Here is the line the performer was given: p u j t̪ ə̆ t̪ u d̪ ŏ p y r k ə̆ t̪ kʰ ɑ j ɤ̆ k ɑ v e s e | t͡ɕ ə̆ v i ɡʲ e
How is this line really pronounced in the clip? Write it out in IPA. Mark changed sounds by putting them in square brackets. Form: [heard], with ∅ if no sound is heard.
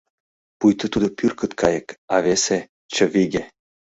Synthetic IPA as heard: p u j t̪ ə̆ t̪ u d̪ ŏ p y r k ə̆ t̪ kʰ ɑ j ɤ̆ k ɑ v e s e | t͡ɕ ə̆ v i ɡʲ e